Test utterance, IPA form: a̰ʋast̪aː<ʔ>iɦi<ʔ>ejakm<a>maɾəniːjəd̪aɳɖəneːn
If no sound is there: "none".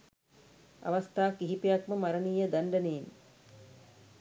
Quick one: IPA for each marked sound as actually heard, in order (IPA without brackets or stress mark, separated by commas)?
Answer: k, p, ə